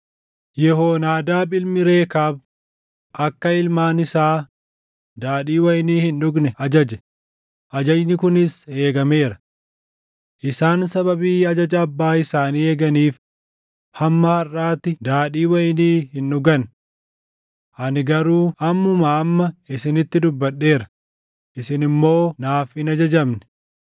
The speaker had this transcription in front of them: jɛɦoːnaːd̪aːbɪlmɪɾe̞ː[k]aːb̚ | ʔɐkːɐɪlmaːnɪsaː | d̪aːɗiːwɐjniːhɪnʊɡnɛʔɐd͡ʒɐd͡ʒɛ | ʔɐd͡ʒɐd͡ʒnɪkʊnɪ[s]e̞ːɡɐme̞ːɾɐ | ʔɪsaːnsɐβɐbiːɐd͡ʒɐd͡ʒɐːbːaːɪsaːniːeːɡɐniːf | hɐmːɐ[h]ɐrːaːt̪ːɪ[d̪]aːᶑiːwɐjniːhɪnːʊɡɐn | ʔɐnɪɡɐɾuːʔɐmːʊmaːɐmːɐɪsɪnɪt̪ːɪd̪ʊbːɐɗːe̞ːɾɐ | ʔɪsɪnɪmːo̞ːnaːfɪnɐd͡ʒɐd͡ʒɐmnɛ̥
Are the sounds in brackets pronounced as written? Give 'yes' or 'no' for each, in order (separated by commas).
yes, yes, yes, yes